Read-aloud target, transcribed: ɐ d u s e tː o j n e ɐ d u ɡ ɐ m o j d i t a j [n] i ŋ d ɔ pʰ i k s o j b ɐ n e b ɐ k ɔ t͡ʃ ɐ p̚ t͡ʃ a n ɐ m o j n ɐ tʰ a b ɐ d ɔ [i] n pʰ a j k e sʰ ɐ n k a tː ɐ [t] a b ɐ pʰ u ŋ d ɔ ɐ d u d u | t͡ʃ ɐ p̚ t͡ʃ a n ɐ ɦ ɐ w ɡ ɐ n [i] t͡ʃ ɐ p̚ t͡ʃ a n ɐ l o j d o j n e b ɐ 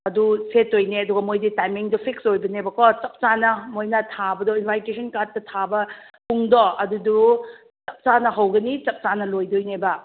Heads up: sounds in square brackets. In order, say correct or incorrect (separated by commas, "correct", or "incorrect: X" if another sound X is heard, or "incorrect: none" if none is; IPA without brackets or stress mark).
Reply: incorrect: m, correct, incorrect: tʰ, correct